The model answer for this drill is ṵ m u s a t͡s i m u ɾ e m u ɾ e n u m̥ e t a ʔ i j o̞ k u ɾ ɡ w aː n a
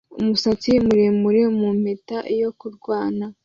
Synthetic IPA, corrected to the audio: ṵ m u s a t͡s i m u ɾ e m u ɾ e m u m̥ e t a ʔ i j o̞ k u ɾ ɡ w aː n a